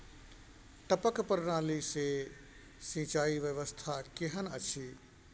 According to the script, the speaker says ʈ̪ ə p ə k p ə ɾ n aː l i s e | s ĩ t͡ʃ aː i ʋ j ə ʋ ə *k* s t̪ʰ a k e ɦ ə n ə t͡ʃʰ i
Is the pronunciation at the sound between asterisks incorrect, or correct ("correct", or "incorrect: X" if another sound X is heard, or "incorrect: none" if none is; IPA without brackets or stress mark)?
incorrect: none